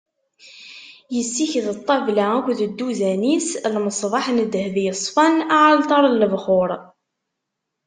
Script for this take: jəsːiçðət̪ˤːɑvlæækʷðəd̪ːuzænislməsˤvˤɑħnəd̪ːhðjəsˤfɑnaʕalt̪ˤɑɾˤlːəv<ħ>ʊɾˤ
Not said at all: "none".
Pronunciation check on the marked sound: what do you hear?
χ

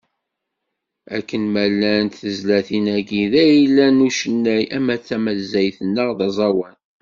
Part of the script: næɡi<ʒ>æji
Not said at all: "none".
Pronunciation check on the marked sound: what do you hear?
ð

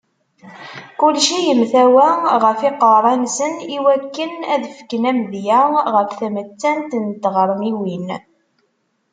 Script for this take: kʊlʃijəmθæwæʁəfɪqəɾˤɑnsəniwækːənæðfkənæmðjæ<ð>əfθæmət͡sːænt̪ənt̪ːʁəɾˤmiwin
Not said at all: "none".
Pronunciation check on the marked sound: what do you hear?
ʁ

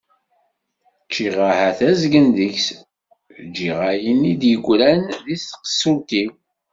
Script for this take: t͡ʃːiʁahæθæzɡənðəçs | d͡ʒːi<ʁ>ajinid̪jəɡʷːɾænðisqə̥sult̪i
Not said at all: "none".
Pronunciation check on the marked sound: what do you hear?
ʁ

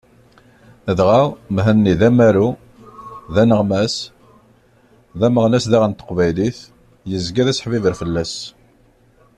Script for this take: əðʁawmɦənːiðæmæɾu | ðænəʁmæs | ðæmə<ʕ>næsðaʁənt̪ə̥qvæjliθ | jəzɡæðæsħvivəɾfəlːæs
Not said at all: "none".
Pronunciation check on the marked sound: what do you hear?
ʁ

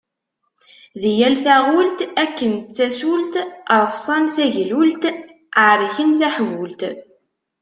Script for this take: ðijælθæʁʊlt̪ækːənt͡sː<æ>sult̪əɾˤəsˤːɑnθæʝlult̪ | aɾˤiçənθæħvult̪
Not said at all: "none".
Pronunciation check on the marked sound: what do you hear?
æ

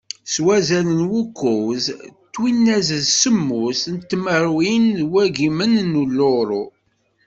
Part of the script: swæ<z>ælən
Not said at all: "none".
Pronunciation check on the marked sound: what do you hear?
z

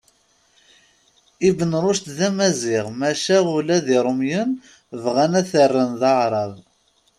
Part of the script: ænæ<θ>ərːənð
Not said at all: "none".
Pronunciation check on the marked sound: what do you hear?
θ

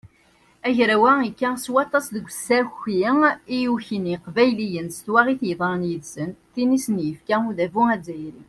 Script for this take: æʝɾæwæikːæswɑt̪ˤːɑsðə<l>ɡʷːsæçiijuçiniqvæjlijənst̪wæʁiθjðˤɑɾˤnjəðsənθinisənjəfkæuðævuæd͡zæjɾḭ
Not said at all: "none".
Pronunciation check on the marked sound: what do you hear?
none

